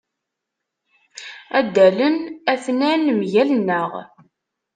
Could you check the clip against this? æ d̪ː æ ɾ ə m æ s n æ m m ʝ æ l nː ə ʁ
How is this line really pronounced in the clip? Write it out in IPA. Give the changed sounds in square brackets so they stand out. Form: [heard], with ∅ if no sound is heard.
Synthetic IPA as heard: æ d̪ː æ [l] ə [n] æ [θ] n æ [n] m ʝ æ l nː ə ʁ